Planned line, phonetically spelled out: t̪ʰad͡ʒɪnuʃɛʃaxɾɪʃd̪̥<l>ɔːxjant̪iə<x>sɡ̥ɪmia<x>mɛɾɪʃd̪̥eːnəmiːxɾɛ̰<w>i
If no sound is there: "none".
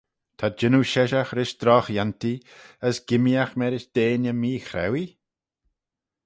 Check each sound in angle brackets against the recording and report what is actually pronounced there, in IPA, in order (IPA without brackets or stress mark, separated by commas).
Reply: ɾ, none, x, w